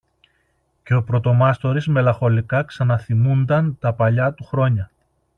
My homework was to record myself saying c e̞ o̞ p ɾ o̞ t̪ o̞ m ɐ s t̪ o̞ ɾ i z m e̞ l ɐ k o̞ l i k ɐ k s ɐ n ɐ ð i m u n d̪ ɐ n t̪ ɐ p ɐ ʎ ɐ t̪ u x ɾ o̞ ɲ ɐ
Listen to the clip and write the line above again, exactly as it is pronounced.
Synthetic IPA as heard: c e̞ o̞ p ɾ o̞ t̪ o̞ m ɐ s t̪ o̞ ɾ i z m e̞ l ɐ x o̞ l i k ɐ k s ɐ n ɐ θ i m u n d̪ ɐ n t̪ ɐ p ɐ ʎ ɐ t̪ u x ɾ o̞ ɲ ɐ